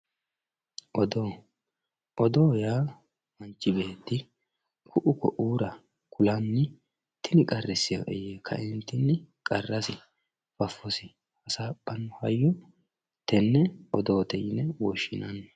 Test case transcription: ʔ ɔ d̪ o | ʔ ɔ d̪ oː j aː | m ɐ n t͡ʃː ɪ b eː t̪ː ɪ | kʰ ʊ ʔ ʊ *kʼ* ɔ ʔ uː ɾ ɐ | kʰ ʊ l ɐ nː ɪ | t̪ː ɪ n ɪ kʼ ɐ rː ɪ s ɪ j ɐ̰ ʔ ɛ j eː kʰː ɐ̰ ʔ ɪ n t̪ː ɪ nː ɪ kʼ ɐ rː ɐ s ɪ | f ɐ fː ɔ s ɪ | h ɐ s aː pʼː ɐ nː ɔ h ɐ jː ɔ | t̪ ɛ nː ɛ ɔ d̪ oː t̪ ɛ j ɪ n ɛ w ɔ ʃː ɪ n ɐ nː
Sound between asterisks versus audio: incorrect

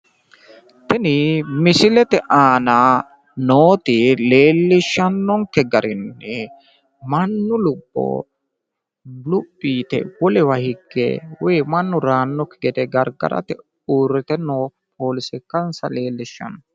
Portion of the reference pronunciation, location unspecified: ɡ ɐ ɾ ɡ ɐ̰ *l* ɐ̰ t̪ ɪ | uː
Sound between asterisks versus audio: incorrect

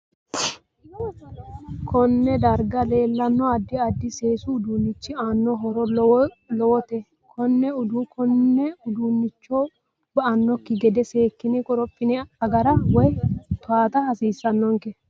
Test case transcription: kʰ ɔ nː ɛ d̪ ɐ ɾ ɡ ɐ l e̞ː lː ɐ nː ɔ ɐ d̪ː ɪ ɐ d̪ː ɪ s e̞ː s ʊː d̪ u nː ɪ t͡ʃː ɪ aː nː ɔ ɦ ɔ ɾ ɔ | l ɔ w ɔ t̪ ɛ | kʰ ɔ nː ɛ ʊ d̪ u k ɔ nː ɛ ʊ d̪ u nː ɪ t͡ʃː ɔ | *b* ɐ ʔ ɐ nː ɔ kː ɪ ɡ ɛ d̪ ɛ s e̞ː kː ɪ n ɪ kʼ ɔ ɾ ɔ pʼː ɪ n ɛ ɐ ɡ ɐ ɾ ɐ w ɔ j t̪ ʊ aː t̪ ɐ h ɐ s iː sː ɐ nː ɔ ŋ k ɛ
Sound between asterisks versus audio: correct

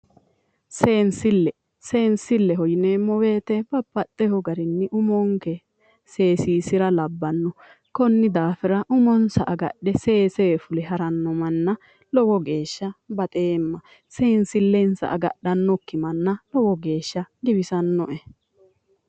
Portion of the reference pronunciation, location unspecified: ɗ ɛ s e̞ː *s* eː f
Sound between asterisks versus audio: correct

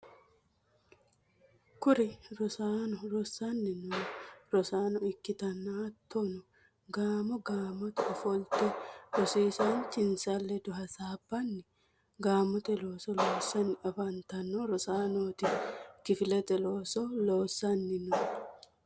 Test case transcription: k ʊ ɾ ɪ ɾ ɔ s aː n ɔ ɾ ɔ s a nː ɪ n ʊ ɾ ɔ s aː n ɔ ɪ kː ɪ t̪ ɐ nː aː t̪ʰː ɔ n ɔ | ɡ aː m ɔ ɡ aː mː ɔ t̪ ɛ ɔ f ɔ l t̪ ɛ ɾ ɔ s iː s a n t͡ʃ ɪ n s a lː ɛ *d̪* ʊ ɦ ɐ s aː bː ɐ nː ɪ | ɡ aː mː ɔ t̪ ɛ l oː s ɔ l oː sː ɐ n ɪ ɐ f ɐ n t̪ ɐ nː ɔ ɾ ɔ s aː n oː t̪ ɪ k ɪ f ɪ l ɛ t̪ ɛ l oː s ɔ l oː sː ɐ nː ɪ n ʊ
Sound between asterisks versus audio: correct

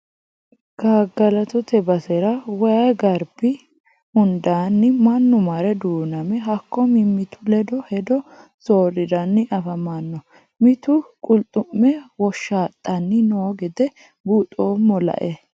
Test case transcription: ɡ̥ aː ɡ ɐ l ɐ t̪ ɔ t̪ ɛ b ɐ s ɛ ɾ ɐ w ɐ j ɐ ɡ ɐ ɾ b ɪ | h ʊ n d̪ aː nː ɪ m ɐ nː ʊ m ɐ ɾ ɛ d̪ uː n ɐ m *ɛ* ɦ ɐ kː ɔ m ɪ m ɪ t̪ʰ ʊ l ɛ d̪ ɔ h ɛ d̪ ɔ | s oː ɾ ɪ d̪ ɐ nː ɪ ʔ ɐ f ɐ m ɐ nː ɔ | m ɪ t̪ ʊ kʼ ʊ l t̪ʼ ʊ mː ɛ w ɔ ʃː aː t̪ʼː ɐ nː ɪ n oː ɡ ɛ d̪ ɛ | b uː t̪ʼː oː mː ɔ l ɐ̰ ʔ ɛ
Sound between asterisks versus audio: correct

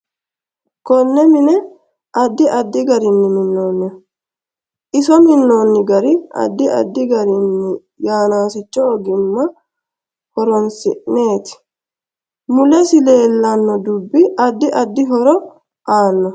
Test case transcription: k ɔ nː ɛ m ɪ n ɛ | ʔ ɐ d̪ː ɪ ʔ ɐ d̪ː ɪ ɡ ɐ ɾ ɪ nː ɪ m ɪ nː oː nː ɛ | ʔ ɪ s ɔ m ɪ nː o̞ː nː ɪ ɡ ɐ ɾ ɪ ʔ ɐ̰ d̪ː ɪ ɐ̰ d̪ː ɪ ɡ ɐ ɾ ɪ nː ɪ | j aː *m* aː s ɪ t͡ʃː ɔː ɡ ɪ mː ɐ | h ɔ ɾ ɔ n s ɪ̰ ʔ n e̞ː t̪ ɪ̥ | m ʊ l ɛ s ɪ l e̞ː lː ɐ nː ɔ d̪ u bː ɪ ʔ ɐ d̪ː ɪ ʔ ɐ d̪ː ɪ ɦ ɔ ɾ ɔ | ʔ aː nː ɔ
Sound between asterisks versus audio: incorrect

